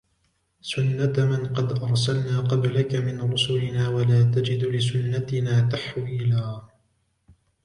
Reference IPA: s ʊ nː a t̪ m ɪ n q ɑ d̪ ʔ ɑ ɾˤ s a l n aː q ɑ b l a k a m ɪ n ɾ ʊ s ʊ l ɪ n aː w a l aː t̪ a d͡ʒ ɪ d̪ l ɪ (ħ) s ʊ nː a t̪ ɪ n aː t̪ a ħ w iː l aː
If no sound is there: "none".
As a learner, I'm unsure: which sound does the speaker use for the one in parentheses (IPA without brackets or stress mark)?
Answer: none